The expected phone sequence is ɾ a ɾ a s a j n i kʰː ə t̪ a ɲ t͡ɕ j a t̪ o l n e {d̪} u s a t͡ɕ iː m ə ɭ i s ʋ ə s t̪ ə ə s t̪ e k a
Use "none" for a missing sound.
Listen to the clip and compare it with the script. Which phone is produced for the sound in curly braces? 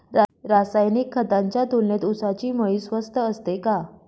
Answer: t̪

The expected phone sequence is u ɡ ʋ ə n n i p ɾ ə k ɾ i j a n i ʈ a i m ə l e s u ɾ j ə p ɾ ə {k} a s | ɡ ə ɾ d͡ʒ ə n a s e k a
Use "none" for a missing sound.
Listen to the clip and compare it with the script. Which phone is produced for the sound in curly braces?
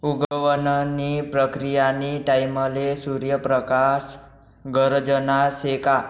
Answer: k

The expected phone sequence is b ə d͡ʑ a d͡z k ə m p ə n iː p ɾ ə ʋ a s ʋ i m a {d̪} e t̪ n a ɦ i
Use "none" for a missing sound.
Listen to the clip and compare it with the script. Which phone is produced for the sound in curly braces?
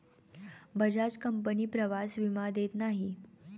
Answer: d̪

